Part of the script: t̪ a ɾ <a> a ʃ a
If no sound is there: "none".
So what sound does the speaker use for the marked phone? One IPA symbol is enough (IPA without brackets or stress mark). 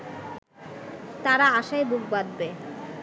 a